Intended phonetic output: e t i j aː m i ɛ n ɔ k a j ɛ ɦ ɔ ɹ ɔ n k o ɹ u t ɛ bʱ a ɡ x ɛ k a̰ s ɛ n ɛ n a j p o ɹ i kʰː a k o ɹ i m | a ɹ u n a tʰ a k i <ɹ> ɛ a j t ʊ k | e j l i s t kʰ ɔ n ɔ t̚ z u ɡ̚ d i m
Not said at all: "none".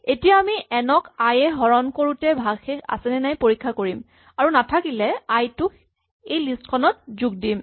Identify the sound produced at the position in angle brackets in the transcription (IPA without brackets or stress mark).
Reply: l